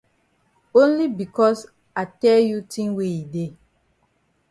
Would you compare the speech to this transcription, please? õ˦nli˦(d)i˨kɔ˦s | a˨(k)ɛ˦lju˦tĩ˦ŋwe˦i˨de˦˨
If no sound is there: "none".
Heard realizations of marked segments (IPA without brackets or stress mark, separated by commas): b, t